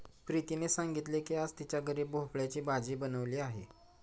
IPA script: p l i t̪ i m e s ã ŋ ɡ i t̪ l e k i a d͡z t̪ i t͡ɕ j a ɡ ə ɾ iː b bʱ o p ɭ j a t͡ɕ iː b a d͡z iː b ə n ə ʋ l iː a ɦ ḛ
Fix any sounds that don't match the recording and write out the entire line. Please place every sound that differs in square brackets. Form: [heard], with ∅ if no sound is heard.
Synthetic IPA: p [ɾ] i t̪ i [n] e s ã ŋ ɡ i t̪ l e k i a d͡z t̪ i t͡ɕ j a ɡ ə ɾ iː b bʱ o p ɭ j a t͡ɕ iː b a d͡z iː b ə n ə ʋ l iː a ɦ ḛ